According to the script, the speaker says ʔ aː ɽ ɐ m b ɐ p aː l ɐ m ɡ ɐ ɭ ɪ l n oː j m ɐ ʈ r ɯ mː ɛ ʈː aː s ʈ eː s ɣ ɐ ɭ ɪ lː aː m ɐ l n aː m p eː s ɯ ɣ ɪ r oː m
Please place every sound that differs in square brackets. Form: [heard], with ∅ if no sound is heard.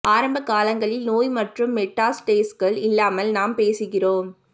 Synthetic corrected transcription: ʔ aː [ɾ] ɐ m b ɐ [k] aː l ɐ [ŋ] ɡ ɐ ɭ ɪ l n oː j m ɐ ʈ r ɯ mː ɛ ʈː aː s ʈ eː s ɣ ɐ ɭ ɪ lː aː m ɐ l n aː m p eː s ɯ ɣ ɪ r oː m